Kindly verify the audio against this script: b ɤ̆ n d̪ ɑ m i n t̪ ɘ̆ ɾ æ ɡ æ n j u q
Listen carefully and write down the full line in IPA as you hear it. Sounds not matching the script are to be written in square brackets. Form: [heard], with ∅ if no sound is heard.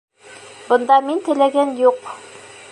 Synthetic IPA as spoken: b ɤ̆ n d̪ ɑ m i n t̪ ɘ̆ [l] æ ɡ æ n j u q